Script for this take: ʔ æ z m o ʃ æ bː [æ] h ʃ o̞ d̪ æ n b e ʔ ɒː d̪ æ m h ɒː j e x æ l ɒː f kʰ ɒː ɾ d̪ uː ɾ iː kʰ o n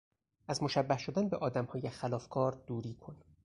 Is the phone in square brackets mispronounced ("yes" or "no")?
no